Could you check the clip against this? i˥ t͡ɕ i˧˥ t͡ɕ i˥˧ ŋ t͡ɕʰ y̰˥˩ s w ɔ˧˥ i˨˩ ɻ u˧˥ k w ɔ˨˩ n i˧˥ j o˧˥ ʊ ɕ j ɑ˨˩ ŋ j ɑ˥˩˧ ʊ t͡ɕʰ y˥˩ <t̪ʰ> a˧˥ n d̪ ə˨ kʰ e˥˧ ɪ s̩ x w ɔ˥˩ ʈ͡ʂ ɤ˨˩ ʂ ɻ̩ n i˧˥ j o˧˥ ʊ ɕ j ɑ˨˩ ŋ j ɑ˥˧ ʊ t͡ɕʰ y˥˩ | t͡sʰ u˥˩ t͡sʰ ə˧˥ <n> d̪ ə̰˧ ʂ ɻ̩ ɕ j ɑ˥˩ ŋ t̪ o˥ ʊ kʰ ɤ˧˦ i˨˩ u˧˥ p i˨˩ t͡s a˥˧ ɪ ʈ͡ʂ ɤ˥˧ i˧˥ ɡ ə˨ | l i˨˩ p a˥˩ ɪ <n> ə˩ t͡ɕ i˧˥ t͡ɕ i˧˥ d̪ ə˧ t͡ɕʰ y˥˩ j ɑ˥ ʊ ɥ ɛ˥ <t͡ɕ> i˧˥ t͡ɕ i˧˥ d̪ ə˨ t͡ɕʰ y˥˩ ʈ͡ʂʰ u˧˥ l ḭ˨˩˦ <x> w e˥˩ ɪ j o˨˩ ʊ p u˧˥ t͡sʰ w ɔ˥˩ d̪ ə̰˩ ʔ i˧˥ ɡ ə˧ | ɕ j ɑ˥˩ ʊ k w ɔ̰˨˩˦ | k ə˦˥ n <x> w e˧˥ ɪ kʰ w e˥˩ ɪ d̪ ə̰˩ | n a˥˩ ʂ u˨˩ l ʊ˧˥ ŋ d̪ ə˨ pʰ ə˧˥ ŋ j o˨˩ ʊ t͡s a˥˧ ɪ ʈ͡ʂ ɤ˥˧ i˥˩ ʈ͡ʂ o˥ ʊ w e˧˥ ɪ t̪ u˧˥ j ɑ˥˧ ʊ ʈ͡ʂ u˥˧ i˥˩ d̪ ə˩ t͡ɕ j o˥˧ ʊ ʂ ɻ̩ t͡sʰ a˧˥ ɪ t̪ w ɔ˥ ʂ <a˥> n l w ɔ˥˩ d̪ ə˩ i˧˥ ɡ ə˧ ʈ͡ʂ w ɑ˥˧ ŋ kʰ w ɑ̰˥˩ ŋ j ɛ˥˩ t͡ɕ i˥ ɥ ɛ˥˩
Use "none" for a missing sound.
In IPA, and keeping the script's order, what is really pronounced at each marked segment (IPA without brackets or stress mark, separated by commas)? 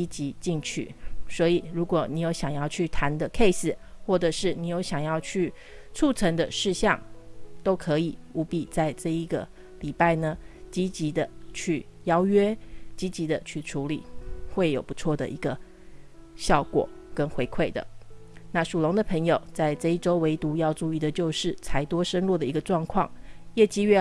t̪ʰ, ŋ, n, t͡ɕ, x, x, ə˥